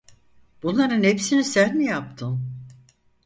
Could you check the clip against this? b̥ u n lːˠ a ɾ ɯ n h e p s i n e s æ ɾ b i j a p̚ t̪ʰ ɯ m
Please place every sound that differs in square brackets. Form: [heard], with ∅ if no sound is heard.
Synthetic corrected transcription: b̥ u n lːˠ a ɾ ɯ n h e p s i n [i] s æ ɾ [m] i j a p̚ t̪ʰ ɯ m

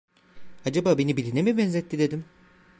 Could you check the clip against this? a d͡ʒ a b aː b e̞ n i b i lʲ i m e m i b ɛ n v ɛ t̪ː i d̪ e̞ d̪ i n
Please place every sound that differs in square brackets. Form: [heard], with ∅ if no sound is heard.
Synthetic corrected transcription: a d͡ʒ a b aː b e̞ n i b i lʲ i [n] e m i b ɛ n [z] ɛ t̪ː i d̪ e̞ d̪ i [m]

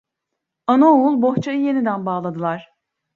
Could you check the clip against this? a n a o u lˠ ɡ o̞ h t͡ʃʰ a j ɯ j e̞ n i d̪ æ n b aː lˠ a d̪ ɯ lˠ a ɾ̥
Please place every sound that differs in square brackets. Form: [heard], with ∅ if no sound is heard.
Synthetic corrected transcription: a n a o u lˠ [b] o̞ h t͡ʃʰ a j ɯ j e̞ n i d̪ æ n b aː lˠ a d̪ ɯ lˠ a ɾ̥

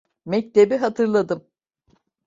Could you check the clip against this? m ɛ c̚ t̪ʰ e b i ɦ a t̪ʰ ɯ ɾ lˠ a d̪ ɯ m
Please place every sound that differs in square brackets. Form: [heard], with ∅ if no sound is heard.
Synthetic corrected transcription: m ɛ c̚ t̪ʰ e b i ɦ a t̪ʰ ɯ ɾ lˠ a d̪ ɯ m

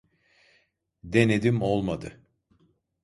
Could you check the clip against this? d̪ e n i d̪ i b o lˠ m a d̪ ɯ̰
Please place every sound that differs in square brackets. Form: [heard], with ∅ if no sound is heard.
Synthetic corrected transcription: d̪ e n [e] d̪ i [m] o lˠ m a d̪ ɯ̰

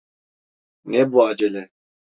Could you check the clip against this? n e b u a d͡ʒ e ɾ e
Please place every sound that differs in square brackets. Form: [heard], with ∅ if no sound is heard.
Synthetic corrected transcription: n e b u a d͡ʒ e [l] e

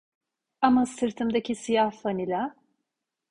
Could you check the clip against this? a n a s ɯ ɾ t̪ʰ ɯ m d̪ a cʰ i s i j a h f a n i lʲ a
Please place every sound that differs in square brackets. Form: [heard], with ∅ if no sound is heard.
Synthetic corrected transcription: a [m] a s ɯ ɾ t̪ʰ ɯ m d̪ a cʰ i s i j a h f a n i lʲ a

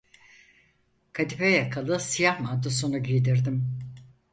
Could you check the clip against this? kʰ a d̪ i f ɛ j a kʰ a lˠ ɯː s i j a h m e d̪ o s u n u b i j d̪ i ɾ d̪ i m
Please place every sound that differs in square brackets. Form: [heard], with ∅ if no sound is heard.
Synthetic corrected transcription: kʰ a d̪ i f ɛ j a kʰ a lˠ [ɯ] s i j a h m [a] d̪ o s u n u [ɟ] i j d̪ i ɾ d̪ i m

